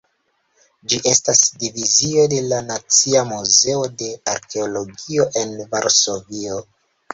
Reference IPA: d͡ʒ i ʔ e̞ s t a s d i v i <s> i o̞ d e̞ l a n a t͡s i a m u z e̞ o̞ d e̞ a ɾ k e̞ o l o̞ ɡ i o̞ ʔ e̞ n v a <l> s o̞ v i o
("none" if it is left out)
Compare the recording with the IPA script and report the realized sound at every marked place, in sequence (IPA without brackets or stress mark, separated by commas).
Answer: z, ɾ